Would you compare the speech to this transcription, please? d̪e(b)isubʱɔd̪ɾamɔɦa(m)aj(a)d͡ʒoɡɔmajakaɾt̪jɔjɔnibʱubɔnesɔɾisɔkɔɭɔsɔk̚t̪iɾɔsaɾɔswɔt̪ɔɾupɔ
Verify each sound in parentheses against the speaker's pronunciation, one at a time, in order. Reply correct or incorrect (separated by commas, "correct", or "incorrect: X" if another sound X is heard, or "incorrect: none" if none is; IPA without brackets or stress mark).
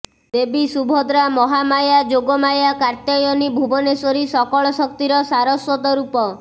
correct, correct, correct